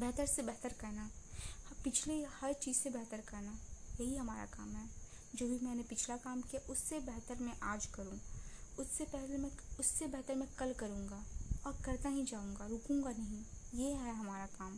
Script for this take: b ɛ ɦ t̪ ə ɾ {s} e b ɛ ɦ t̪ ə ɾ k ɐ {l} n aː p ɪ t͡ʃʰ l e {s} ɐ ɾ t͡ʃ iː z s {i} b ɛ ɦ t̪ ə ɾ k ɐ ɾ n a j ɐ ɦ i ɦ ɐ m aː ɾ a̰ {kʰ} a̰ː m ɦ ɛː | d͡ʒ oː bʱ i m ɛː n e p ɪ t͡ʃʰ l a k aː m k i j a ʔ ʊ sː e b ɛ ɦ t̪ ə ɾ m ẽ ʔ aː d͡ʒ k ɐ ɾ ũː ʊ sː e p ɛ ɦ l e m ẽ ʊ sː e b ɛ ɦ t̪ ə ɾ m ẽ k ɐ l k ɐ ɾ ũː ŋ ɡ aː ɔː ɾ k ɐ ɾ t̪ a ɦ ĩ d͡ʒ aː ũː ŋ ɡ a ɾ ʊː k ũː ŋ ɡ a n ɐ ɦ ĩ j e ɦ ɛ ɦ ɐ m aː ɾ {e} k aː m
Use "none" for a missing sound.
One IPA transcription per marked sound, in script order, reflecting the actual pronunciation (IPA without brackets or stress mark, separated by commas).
s, ɾ, h, e, k, a